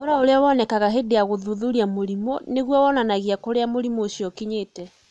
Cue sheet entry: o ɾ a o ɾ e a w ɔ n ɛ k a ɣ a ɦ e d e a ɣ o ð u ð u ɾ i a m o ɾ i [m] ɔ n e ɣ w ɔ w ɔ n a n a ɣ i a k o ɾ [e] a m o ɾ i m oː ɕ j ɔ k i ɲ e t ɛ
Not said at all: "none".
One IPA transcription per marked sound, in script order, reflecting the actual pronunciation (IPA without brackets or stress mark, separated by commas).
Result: m, e